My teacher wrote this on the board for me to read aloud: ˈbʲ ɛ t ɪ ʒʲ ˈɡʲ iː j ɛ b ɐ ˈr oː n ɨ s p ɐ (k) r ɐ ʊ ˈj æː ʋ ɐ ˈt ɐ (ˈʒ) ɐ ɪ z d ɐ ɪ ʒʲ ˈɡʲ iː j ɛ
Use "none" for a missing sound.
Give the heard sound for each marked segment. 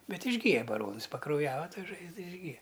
k, ʒ

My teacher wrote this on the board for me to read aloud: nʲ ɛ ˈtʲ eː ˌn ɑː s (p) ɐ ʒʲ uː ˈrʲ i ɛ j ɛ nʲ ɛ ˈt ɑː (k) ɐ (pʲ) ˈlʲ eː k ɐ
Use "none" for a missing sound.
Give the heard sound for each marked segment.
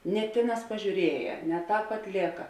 p, p, tʲ

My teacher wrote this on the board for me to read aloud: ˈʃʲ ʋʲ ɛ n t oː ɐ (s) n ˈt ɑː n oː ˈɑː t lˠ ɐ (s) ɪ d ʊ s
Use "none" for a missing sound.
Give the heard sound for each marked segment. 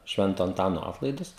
none, none

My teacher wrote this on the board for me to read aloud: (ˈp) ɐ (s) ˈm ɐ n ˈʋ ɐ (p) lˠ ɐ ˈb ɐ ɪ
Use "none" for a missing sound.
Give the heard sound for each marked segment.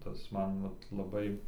t, s, t

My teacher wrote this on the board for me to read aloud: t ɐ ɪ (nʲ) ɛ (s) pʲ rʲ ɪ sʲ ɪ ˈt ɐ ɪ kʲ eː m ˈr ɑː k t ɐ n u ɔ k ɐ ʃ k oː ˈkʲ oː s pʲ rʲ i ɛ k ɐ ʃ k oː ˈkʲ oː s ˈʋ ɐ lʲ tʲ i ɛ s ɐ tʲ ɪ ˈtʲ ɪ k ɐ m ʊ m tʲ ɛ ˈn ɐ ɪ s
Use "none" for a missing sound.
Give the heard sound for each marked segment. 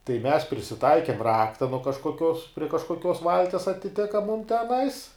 mʲ, s

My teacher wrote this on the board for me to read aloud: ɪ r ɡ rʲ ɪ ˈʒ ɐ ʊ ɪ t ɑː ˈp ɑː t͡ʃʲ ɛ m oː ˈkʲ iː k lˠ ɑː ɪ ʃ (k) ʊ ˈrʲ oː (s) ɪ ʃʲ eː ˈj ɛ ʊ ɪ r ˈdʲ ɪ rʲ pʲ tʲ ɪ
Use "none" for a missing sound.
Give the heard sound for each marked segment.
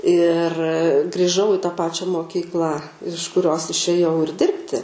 k, s

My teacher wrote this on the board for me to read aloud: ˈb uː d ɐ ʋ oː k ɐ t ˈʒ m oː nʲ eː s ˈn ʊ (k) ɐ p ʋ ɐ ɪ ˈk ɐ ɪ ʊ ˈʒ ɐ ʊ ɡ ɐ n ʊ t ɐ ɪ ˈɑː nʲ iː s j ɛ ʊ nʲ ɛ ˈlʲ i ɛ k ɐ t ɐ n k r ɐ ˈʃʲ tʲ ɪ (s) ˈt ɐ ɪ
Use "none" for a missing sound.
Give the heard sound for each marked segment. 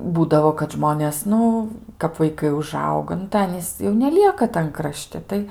k, none

